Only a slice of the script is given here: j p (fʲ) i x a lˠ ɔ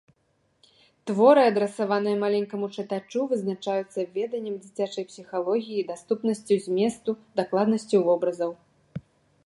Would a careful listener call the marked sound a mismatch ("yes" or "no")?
yes